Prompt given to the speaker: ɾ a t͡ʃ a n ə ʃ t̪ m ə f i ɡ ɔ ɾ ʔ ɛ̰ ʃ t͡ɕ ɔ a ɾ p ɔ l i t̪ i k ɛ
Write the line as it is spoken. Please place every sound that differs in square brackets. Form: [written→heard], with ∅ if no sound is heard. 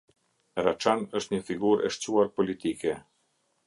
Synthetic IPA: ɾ a t͡ʃ a n ə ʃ t̪ [m→ɲ] ə f i ɡ [ɔ→u] ɾ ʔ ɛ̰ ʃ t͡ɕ [ɔ→u] a ɾ p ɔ l i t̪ i k ɛ